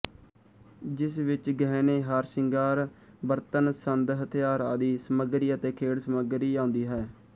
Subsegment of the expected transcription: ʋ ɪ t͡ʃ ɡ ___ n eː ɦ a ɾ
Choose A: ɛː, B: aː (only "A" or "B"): A